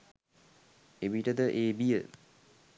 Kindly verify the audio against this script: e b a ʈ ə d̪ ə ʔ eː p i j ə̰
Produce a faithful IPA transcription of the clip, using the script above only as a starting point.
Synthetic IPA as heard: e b i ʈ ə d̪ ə ʔ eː b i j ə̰